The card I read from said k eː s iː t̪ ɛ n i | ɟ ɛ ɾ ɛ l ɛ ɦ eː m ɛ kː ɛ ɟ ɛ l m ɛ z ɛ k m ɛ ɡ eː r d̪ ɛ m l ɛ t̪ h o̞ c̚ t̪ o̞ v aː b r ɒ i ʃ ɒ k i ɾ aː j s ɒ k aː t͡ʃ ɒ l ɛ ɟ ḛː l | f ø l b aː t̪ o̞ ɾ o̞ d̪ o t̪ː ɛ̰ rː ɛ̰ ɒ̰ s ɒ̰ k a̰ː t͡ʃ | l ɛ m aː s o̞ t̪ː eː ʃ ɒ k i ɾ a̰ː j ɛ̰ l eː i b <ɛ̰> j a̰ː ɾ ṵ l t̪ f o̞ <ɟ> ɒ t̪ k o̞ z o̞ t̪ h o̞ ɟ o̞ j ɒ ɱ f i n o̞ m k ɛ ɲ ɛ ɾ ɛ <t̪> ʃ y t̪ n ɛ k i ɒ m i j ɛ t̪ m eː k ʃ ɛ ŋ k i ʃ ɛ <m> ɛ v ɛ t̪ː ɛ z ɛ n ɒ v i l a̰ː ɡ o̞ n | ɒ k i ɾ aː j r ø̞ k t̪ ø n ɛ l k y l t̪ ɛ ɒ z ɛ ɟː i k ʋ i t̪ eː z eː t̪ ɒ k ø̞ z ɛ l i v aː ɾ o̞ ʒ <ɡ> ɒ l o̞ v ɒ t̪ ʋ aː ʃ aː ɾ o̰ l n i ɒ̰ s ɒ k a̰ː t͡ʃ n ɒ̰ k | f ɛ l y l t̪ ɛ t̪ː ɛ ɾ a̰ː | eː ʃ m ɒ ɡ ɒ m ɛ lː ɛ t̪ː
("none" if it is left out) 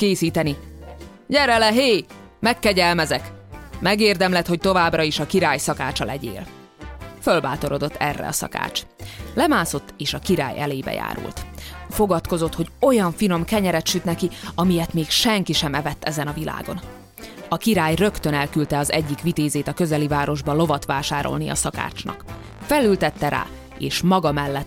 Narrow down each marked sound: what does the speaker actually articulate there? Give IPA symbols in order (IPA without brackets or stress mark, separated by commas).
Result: ɛ̰, ɡ, t̪, m, b